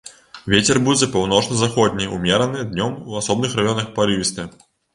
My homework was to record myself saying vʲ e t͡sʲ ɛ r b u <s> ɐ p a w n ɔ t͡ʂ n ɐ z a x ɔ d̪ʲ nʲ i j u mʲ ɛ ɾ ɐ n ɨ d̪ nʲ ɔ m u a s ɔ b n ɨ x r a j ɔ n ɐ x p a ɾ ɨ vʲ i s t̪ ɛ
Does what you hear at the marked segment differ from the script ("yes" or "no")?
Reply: yes